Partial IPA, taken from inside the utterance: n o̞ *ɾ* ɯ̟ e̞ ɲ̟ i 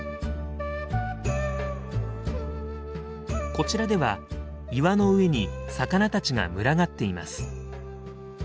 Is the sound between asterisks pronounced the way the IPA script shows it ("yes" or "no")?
no